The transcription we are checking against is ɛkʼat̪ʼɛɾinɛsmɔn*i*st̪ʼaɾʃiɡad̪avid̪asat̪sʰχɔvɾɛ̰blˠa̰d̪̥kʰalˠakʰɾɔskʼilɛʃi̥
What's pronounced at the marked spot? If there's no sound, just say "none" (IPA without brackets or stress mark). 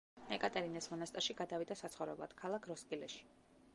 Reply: a